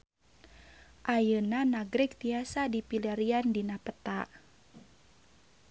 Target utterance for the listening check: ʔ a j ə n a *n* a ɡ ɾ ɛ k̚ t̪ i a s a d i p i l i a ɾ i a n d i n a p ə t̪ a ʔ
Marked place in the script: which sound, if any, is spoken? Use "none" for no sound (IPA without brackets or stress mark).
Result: n